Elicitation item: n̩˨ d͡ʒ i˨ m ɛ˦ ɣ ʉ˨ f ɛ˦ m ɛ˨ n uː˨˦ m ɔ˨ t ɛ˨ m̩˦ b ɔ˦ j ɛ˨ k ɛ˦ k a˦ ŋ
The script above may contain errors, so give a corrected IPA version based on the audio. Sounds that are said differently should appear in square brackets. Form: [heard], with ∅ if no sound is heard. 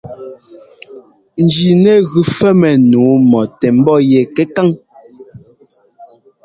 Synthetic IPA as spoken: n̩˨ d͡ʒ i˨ [n] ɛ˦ ɣ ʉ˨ f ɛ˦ m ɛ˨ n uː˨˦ m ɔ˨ t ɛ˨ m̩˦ b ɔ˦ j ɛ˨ k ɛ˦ k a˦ ŋ